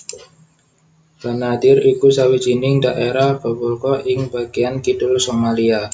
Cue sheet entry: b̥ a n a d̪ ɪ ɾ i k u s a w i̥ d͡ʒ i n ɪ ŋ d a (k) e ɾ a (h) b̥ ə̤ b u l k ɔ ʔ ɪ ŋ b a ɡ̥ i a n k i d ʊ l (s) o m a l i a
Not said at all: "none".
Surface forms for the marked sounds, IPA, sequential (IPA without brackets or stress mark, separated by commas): ʔ, h, s